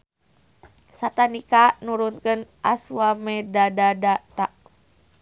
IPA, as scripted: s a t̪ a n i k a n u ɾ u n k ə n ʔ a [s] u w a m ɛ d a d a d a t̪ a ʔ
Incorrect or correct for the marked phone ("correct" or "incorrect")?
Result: correct